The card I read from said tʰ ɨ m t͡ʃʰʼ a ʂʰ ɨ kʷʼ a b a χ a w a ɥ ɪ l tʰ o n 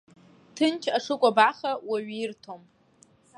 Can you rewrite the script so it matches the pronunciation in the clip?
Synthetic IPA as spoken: tʰ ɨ n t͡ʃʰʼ a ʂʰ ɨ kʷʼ a b a χ a w a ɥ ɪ r tʰ o m